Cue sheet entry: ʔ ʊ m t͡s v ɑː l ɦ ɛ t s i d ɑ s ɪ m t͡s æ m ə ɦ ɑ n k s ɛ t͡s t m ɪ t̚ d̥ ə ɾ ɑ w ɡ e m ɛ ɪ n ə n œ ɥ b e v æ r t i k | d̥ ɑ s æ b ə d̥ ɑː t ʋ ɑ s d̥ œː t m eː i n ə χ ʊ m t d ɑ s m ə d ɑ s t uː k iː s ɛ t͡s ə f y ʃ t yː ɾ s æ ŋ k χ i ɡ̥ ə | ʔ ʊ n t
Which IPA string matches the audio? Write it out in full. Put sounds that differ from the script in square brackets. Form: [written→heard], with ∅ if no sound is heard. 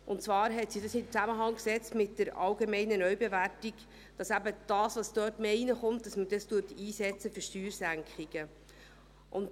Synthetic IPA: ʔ ʊ [m→n] t͡s v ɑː [l→ɾ] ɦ ɛ t s i d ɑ s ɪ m t͡s æ m ə ɦ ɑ [n→ŋ] k s ɛ t͡s t m ɪ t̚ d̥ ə ɾ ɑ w ɡ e m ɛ ɪ n ə n œ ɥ b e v æ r t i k | d̥ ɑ s æ b ə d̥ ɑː [t→s] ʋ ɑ s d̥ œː t m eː i n ə χ ʊ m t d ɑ s m ə d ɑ s t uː [k→t] iː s ɛ t͡s ə f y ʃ t yː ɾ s æ ŋ k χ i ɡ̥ ə | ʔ ʊ n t